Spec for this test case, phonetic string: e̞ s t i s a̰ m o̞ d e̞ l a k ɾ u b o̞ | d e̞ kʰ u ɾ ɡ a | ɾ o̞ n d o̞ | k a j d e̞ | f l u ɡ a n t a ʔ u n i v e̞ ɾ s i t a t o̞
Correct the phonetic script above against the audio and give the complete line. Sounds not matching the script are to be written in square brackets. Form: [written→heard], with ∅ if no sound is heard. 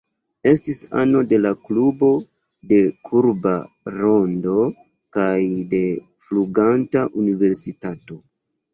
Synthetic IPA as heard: e̞ s t i s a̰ [m→n] o̞ d e̞ l a k [ɾ→l] u b o̞ | d e̞ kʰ u ɾ [ɡ→b] a | ɾ o̞ n d o̞ | k a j d e̞ | f l u ɡ a n t a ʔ u n i v e̞ ɾ s i t a t o̞